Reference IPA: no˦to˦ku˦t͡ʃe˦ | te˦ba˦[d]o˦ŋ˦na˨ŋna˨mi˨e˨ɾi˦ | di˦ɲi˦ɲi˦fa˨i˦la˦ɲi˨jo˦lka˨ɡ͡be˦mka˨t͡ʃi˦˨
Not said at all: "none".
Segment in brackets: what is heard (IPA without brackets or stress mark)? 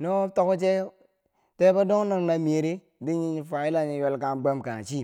d